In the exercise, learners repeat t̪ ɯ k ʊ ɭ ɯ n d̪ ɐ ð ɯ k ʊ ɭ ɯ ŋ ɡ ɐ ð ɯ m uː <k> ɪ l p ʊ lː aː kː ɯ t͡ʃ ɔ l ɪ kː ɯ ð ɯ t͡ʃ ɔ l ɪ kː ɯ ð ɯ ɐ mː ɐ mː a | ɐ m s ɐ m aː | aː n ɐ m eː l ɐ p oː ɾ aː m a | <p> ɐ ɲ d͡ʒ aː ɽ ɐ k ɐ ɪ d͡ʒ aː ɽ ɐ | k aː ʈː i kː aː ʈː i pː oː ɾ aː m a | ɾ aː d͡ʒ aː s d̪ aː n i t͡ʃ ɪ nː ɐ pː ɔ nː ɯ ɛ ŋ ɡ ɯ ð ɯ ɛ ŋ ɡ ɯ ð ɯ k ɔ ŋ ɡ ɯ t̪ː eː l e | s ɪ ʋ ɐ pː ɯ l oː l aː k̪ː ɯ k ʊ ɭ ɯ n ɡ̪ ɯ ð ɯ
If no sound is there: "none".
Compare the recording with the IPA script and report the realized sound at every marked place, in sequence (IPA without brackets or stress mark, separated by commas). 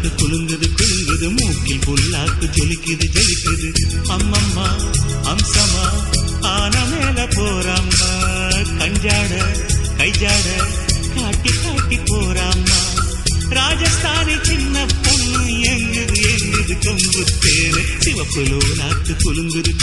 k, k